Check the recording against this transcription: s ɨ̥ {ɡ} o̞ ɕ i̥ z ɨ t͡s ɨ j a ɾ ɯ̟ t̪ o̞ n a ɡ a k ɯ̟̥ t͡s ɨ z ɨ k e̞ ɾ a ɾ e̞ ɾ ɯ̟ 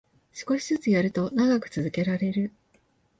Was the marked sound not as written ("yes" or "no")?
yes